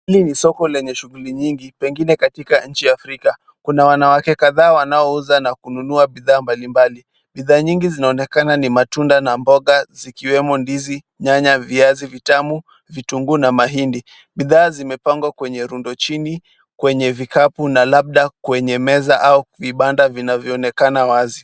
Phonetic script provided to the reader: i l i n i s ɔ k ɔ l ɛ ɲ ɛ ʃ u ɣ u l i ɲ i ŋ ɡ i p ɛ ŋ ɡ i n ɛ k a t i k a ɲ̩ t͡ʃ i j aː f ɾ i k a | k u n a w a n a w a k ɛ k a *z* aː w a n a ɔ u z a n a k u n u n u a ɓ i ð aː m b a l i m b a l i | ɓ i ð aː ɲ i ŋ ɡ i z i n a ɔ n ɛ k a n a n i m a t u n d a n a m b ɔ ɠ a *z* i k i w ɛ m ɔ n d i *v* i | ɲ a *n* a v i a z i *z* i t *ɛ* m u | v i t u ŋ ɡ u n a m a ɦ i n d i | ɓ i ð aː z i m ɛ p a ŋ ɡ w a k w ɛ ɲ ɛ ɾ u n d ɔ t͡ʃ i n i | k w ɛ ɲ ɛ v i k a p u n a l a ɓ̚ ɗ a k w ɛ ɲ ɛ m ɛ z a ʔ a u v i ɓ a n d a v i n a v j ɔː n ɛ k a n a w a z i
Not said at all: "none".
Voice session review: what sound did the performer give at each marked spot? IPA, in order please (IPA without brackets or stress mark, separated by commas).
ð, z, z, ɲ, v, a